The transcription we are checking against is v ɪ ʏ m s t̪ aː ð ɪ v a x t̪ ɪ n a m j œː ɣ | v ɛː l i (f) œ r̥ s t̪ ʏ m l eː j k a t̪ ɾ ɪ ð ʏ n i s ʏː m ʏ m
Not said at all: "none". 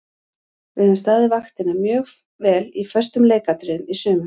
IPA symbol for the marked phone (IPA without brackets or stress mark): f